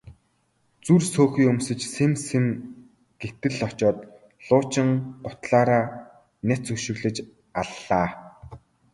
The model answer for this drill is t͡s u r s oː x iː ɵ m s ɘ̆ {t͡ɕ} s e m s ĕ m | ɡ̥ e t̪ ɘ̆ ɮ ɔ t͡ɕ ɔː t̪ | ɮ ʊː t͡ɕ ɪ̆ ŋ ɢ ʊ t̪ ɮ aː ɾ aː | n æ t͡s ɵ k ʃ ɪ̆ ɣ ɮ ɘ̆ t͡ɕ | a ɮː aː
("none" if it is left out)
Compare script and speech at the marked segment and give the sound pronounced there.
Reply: t͡ɕ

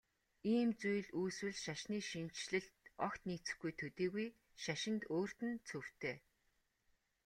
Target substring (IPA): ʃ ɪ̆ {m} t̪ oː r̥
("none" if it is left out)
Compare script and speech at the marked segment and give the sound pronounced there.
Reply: n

